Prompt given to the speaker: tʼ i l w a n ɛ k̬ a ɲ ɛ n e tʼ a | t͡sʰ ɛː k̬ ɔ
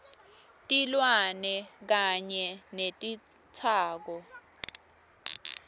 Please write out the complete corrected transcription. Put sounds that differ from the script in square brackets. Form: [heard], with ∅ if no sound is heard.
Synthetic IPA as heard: tʼ i l w a n ɛ k̬ a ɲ ɛ n e tʼ [i] | t͡sʰ [aː] k̬ ɔ